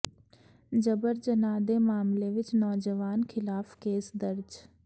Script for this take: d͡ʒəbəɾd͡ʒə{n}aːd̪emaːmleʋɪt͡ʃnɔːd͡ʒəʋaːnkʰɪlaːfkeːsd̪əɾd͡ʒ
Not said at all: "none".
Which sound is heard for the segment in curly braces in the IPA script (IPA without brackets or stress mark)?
n